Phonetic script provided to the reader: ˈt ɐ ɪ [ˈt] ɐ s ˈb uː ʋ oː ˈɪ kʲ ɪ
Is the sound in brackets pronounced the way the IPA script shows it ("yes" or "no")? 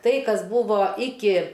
no